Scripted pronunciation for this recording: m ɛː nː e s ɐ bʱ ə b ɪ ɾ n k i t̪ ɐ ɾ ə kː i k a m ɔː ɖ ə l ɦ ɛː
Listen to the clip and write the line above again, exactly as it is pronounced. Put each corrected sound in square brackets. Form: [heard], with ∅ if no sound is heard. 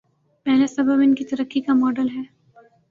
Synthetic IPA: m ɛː [n] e s ɐ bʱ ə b ɪ [∅] n k i t̪ ɐ ɾ ə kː i k a m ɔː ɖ ə l ɦ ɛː